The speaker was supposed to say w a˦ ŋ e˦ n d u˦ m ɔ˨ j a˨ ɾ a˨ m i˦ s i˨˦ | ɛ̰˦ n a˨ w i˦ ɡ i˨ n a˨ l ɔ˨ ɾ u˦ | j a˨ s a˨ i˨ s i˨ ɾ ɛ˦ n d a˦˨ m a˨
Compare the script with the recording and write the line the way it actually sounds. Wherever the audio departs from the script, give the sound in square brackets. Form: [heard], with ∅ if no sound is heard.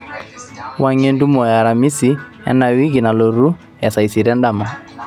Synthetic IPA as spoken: w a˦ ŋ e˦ n d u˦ m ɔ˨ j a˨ ɾ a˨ m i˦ s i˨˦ | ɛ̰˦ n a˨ w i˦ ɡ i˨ n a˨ l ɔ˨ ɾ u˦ | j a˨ s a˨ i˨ s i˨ ɾ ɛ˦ n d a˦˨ m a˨